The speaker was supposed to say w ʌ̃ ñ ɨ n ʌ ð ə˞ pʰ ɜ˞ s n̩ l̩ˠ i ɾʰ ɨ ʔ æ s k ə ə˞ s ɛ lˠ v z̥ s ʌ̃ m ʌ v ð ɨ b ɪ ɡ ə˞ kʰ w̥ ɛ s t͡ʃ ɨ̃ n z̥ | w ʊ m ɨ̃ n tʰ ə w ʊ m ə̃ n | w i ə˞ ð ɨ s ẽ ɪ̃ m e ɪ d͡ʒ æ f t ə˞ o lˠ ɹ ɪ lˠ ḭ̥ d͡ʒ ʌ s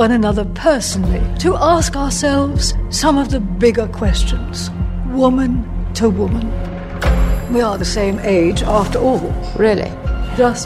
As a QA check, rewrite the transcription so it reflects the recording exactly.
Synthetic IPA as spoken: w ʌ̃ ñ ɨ n ʌ ð ə˞ pʰ ɜ˞ s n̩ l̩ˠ i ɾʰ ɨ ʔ æ s k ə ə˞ s ɛ lˠ v z̥ s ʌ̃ m ʌ v ð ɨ b ɪ ɡ ə˞ kʰ w̥ ɛ s t͡ʃ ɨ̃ n z̥ | w ʊ m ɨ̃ n tʰ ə w ʊ m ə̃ n | w i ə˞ ð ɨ s ẽ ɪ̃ m e ɪ d͡ʒ æ f t ə˞ ɔ lˠ ɹ ɪ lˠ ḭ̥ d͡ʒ ʌ s